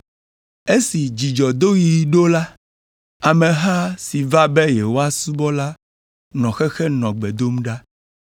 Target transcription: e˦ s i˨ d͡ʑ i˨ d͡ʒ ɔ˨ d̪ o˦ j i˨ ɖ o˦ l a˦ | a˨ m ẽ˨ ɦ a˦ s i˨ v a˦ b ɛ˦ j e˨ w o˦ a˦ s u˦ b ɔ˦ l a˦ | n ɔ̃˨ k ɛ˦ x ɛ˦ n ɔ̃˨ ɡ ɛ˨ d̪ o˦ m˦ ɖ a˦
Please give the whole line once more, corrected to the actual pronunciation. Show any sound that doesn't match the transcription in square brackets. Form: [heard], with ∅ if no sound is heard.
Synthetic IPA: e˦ s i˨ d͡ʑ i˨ d͡ʒ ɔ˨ d̪ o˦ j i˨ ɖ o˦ l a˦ | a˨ m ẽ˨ ɦ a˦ s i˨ v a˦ b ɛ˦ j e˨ w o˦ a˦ s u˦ b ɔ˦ l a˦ | n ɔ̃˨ [x] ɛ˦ x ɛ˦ n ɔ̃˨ [ɡ͡b] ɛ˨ d̪ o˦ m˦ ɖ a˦